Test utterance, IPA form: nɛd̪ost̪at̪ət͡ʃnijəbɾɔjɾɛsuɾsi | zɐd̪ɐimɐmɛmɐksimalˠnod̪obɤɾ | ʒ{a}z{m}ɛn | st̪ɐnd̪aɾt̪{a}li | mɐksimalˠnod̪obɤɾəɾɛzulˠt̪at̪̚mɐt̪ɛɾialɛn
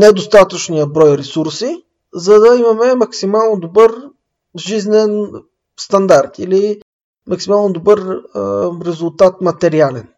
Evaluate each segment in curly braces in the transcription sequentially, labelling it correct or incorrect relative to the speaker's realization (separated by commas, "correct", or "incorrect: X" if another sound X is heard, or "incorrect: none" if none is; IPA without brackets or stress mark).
incorrect: i, incorrect: n, incorrect: i